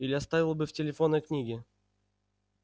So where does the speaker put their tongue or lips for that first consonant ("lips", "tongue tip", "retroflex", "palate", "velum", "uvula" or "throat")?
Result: tongue tip